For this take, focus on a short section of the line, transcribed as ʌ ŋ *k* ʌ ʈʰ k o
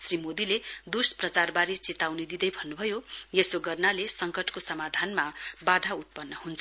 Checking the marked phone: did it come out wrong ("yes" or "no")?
no